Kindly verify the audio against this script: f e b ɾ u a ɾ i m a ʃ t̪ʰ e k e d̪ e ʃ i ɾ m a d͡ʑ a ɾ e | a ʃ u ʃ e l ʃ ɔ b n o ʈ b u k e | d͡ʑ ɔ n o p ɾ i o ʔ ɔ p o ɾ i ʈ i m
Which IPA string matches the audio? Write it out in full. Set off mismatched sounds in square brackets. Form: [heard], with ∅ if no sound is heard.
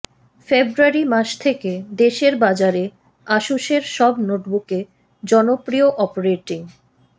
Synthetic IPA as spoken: f e b ɾ u a ɾ i m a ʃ t̪ʰ e k e d̪ e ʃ [e] ɾ [b] a d͡ʑ a ɾ e | a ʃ u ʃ e [ɾ] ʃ ɔ b n o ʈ b u k e | d͡ʑ ɔ n o p ɾ i o ʔ ɔ p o ɾ [e] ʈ i [ŋ]